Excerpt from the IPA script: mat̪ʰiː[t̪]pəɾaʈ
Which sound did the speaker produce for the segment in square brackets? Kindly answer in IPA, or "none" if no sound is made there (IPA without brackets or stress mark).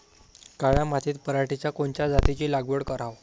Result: t̪